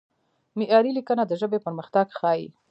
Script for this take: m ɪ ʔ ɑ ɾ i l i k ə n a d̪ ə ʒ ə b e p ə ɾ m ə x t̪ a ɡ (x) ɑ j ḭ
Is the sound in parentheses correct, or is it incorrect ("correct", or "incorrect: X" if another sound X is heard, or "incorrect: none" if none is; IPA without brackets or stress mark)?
correct